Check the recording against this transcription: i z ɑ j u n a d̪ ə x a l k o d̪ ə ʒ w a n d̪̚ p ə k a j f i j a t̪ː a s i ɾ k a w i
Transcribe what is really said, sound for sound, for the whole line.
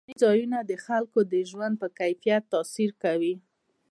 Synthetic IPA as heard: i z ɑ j u n a d̪ ə x a l k o d̪ ə ʒ w a n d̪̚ p ə k a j f i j a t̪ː ɑ s i ɾ k a w i